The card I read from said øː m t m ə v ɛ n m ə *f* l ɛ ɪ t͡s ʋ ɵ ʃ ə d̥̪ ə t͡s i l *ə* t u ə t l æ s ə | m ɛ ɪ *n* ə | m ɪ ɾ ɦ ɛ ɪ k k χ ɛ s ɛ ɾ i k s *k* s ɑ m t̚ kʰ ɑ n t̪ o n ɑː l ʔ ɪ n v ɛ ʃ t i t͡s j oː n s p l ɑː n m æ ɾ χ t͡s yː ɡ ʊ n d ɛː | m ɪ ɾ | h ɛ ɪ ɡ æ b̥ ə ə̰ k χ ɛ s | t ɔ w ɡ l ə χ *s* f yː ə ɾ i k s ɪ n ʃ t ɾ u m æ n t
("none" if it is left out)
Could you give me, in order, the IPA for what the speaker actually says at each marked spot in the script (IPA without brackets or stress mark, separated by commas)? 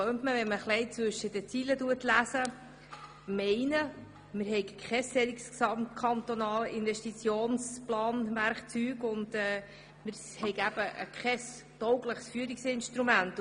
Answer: χ, ə, n, k, s